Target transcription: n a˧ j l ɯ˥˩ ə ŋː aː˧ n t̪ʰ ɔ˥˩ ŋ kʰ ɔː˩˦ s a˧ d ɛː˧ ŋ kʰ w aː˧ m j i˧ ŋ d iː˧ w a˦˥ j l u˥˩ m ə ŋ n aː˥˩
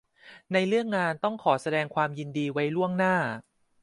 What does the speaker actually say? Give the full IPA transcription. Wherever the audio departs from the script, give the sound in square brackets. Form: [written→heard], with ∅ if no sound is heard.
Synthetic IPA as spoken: n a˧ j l ɯ˥˩ ə ŋː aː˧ n [t̪ʰ→t̪] ɔ˥˩ ŋ kʰ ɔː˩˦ s a˧ d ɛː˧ ŋ kʰ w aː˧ m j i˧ [ŋ→n] d iː˧ w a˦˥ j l u˥˩ [m→∅] ə ŋ n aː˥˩